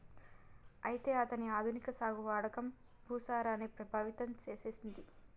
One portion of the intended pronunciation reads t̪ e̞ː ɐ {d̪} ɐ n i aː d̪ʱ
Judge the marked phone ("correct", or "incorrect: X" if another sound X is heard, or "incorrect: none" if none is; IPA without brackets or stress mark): incorrect: t̪